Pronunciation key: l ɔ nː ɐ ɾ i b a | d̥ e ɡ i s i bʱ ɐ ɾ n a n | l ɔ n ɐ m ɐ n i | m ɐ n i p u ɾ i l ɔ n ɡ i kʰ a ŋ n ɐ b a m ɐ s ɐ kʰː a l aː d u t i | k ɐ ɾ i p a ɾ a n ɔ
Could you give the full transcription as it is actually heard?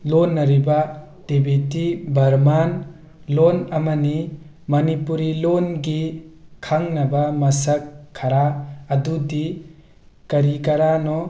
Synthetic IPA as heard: l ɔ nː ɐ ɾ i b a | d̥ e b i t i bʱ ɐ ɾ m a n | l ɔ n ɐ m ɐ n i | m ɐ n i p u ɾ i l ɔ n ɡ i kʰ a ŋ n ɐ b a m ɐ s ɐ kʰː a ɾ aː d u d i | k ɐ ɾ i k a ɾ a n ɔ